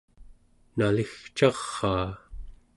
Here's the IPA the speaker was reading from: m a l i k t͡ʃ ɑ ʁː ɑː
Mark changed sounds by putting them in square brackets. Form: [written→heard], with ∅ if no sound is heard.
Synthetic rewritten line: [m→n] a l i [k→x] t͡ʃ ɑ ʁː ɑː